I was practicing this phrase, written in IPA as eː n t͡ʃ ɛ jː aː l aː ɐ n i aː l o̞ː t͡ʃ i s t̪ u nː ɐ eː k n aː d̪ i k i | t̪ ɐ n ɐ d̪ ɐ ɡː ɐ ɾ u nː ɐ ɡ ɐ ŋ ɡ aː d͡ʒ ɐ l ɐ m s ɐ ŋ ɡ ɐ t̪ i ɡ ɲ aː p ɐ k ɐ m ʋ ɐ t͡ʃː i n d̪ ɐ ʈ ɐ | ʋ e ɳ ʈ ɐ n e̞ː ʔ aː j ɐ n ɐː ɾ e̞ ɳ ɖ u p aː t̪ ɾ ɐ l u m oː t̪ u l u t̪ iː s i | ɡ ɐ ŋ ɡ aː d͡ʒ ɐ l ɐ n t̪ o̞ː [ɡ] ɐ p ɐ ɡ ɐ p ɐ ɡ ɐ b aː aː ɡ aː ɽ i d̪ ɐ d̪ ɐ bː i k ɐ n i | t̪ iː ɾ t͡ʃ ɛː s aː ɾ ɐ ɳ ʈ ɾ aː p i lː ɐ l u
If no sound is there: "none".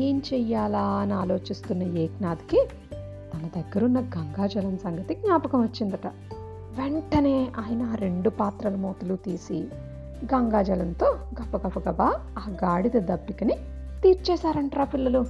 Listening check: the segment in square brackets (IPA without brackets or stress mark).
ɡ